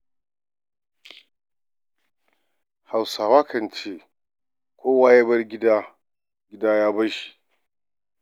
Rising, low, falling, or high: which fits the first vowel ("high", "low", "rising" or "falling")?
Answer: low